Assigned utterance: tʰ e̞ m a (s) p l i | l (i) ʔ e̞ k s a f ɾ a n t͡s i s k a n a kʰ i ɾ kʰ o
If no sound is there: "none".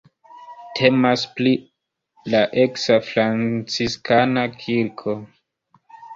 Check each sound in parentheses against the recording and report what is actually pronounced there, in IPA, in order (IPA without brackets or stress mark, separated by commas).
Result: s, a